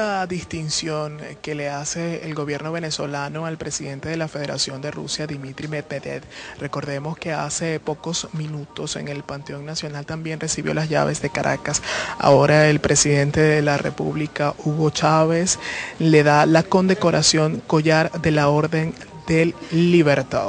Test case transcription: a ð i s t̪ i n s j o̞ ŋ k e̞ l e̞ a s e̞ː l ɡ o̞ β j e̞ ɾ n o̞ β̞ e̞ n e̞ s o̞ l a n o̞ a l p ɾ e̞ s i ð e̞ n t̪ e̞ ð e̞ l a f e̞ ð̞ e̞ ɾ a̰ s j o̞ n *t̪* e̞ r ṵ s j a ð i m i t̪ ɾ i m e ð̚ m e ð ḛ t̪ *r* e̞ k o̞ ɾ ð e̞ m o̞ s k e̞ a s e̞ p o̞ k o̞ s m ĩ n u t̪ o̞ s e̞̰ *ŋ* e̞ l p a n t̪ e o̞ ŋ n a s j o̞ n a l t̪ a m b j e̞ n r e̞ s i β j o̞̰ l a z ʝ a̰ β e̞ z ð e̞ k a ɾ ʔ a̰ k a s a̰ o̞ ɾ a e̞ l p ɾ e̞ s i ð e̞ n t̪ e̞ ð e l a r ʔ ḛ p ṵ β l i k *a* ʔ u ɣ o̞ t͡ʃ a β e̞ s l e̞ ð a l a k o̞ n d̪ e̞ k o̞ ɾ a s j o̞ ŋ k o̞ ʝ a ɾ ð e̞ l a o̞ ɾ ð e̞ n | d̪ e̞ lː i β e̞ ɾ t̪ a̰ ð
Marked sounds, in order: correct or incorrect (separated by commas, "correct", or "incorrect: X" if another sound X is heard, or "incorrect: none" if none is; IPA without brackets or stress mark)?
incorrect: d̪, correct, correct, correct